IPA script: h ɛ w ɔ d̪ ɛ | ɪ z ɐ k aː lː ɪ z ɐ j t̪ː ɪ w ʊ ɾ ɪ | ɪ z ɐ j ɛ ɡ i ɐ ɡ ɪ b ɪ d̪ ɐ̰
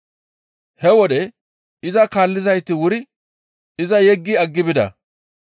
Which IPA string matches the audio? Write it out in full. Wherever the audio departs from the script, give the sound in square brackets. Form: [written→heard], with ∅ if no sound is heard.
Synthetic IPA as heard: h ɛ w ɔ d̪ ɛ | ɪ z ɐ k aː lː ɪ z ɐ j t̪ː ɪ w ʊ ɾ ɪ | ɪ z ɐ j ɛ [ɡ→ɡː] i ɐ [ɡ→ɡː] ɪ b ɪ d̪ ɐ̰